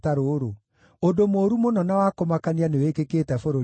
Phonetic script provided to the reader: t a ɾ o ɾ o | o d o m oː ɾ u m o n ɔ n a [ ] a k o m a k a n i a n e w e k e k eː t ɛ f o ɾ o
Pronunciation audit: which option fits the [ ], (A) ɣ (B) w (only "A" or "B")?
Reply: B